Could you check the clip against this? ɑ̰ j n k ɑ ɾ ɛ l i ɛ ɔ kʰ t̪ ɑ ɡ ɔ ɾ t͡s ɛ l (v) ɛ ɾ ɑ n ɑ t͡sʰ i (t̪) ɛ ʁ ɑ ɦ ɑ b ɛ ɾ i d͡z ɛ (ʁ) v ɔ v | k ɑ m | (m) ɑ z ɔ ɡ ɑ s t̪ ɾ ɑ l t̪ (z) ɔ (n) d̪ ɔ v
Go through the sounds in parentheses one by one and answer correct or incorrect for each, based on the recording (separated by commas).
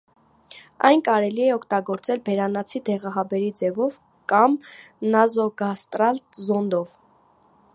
incorrect, incorrect, incorrect, incorrect, correct, correct